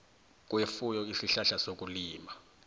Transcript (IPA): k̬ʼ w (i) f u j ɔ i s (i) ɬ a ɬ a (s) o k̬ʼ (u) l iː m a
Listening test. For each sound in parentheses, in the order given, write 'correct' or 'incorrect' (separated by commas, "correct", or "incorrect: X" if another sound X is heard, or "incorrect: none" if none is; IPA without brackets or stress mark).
incorrect: e, correct, correct, correct